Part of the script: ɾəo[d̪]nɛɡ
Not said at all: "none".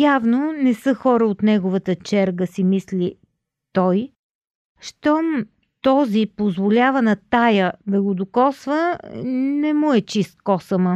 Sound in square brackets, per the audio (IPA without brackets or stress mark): t̪